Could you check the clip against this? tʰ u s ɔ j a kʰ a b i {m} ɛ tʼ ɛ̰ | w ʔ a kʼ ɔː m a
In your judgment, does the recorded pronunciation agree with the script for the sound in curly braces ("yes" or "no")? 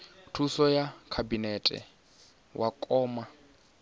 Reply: no